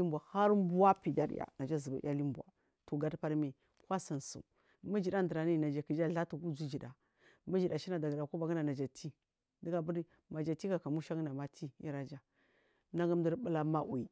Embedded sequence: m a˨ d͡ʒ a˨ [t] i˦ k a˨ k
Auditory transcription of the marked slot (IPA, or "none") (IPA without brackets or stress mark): t